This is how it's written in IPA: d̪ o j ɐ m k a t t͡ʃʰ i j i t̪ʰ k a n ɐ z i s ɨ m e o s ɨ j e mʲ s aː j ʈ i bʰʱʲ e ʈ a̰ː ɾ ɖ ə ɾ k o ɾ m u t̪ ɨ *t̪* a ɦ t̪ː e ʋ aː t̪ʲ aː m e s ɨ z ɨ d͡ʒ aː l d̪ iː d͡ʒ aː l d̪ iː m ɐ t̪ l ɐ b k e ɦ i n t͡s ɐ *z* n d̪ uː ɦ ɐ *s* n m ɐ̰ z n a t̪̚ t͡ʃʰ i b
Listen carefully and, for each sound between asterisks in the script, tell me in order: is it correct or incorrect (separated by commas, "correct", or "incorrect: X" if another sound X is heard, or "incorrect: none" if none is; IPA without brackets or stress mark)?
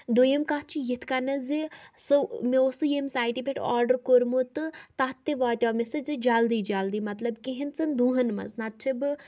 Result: correct, incorrect: none, incorrect: none